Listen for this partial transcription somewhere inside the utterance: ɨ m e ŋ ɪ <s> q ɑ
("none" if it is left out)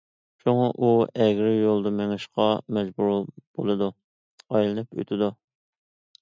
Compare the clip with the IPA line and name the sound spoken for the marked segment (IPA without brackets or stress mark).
ʃ